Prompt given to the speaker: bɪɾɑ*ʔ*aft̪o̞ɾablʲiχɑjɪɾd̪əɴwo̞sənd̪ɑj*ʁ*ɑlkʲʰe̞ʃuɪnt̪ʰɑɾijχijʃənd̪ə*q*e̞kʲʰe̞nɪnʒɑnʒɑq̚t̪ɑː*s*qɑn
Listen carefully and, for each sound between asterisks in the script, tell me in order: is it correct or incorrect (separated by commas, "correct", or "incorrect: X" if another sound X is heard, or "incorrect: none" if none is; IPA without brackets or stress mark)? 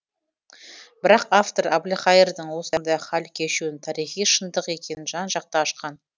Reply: incorrect: q, incorrect: χ, correct, incorrect: ʃ